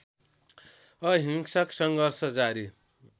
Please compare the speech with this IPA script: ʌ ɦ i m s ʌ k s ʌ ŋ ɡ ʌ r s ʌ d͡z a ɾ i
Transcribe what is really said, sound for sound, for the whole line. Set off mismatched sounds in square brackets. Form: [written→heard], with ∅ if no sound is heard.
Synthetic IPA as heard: ʌ ɦ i [m→ŋ] s ʌ k s ʌ ŋ ɡ ʌ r s ʌ d͡z a ɾ i